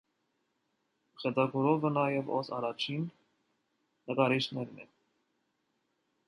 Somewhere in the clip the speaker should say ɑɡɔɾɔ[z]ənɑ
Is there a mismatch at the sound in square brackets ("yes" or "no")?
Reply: yes